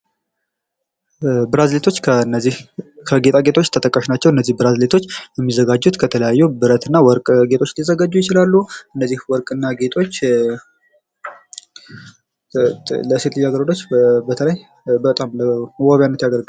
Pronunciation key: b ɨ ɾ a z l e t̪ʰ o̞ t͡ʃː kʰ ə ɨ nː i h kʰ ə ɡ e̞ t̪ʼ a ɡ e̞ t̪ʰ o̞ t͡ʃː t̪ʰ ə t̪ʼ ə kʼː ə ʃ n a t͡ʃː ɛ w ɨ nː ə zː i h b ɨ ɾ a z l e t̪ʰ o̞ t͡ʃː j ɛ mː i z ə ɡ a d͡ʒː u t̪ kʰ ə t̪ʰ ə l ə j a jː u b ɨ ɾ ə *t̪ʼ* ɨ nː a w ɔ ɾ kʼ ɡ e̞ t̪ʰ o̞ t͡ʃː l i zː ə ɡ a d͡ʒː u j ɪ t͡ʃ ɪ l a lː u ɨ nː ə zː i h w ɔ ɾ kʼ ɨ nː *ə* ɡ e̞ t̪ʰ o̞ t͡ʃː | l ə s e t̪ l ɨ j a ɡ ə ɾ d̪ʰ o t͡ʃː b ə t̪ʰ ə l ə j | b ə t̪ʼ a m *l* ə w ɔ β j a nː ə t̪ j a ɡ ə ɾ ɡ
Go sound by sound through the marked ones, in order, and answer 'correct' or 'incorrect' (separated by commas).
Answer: incorrect, incorrect, correct